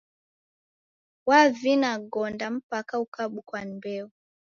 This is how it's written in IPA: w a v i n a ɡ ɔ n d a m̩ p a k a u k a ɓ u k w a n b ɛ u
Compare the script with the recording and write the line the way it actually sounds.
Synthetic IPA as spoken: w a v i n a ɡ ɔ n d a m̩ p a k a u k a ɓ u k w a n b ɛ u